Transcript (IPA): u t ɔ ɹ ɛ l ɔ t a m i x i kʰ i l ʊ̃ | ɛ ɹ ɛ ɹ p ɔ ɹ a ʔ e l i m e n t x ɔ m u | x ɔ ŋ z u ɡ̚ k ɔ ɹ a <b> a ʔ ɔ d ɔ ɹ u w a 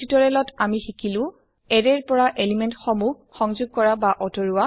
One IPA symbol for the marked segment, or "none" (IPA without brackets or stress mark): b